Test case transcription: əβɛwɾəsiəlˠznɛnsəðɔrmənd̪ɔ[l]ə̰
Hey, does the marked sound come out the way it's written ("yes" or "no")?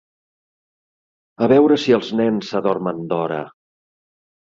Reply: no